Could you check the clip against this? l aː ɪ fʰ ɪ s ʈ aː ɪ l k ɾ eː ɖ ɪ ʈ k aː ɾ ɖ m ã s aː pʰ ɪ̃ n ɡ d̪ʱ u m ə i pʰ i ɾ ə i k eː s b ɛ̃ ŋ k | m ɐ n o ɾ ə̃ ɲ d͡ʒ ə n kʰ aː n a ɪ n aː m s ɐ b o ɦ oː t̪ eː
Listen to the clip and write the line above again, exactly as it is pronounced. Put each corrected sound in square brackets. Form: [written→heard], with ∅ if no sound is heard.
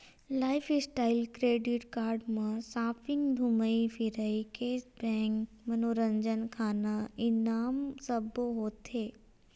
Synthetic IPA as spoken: l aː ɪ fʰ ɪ s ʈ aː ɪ l k ɾ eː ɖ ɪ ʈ k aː ɾ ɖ m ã s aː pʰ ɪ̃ [n→ŋ] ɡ d̪ʱ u m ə i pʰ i ɾ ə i k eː s b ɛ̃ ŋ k | m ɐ n o ɾ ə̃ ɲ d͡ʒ ə n kʰ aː n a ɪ n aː m s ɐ b o ɦ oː t̪ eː